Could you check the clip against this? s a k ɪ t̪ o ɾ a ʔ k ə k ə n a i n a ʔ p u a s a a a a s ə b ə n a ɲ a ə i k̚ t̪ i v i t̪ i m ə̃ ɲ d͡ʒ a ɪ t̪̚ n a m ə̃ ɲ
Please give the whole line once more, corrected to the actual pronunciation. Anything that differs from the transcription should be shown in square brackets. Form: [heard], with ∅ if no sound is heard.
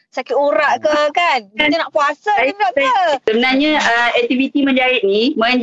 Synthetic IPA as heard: s a k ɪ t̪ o ɾ a ʔ k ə k [a] n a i n a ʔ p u a s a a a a s ə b ə n a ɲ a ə [ɛ] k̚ t̪ i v i t̪ i m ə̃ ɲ d͡ʒ a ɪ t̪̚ n [i] m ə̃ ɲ